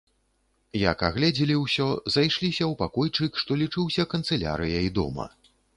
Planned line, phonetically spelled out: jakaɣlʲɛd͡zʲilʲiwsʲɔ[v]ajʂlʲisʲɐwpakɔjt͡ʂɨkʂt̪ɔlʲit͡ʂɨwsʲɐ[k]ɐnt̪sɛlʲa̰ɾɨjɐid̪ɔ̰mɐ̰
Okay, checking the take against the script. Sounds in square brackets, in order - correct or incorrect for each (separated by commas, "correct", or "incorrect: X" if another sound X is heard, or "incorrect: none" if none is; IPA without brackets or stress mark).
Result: incorrect: z, correct